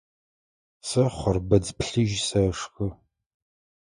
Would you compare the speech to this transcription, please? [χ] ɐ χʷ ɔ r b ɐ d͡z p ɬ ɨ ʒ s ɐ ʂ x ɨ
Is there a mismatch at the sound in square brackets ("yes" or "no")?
yes